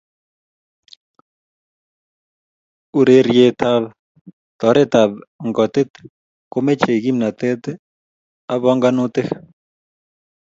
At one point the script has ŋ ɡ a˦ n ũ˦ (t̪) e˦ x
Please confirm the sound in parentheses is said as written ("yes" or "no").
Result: yes